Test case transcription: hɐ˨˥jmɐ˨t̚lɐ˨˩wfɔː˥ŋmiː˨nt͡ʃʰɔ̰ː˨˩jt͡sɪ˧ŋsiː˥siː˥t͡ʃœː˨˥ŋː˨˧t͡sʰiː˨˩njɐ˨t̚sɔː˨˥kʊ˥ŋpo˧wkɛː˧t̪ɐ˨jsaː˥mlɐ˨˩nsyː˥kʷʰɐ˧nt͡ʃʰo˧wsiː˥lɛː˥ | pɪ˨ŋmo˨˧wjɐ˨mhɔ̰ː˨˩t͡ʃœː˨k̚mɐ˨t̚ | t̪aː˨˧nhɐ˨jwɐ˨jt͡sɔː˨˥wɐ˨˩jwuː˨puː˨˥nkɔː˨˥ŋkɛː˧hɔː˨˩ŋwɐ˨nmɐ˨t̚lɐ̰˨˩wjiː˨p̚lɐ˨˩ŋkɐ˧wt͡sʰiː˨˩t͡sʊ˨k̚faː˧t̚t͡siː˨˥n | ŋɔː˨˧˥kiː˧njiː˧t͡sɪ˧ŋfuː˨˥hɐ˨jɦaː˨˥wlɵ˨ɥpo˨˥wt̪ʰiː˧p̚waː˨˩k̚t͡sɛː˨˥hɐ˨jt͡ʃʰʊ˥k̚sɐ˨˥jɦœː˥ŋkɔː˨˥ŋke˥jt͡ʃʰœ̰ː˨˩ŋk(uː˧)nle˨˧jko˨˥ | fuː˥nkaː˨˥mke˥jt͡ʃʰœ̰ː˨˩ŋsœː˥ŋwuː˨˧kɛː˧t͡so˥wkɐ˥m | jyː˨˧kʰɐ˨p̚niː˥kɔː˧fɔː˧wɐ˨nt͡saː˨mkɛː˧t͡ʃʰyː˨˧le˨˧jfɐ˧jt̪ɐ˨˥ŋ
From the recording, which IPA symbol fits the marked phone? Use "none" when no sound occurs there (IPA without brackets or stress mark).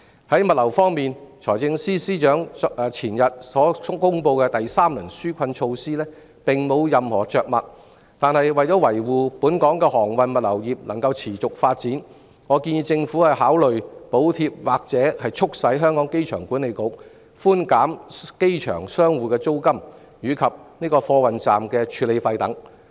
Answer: uː˨˥